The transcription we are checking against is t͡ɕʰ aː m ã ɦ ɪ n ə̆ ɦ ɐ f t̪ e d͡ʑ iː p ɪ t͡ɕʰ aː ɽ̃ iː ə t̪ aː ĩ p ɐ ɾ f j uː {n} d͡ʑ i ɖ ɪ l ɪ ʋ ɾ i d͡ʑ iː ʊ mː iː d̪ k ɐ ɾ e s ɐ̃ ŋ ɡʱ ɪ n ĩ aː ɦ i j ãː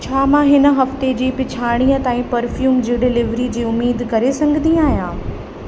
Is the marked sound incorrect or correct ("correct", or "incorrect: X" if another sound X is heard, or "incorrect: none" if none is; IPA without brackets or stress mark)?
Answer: incorrect: m